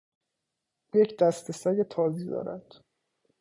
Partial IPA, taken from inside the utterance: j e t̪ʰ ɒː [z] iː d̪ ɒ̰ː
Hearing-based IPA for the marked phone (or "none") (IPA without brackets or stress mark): z